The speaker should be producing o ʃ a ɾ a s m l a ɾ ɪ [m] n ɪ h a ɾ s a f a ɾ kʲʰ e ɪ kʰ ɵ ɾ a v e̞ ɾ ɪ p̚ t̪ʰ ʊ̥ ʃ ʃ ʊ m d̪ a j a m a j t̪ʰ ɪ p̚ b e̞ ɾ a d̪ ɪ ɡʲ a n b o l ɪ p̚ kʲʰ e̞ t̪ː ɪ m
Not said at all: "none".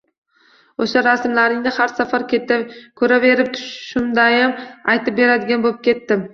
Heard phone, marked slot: ŋ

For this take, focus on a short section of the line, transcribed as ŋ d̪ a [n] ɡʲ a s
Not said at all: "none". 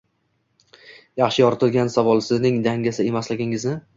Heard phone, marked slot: ŋ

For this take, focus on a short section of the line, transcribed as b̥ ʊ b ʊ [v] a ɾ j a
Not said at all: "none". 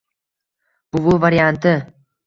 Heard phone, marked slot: v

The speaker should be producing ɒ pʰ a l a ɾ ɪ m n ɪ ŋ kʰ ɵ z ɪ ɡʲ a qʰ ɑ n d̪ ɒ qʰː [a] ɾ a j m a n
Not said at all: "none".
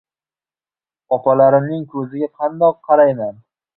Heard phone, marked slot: ɑ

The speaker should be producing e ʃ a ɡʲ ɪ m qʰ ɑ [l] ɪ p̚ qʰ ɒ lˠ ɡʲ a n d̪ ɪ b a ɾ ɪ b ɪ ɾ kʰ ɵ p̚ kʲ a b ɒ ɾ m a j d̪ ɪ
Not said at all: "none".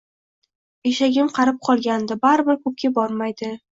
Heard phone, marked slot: ɾ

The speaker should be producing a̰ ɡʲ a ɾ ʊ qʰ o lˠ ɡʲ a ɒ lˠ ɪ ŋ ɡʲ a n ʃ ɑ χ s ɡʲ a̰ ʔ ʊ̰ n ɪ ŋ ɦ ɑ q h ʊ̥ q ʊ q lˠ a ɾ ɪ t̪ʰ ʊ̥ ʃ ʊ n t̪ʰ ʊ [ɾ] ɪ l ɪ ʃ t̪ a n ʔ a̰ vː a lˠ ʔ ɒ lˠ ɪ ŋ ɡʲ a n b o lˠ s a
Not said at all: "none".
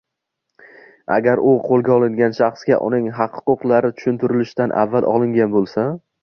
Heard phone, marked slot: ɾ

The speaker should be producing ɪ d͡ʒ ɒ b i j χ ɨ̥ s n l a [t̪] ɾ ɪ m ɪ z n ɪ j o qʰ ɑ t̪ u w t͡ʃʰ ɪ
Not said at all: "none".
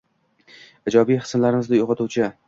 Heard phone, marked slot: none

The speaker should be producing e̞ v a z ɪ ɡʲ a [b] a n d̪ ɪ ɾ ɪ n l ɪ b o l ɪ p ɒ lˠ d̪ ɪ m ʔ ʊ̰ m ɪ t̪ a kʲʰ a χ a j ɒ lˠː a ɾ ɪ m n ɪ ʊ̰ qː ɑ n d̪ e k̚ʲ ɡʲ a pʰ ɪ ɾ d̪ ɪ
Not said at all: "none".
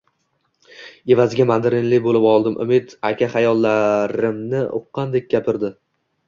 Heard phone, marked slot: m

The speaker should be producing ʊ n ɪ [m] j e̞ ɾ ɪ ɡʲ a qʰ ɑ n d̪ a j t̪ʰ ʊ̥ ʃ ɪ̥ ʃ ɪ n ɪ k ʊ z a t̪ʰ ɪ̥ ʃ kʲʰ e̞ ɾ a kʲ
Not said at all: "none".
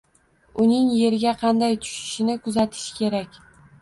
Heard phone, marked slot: ŋ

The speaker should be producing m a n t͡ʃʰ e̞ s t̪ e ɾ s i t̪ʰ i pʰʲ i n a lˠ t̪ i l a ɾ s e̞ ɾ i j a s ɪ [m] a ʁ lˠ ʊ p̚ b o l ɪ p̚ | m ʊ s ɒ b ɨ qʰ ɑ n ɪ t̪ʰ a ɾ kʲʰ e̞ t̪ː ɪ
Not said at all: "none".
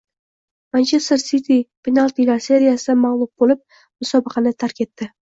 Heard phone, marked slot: m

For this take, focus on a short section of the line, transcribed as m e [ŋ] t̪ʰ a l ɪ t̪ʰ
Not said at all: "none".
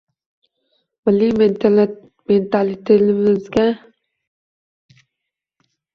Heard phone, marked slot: n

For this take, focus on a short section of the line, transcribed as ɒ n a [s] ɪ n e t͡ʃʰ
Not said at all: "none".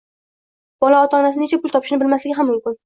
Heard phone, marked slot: s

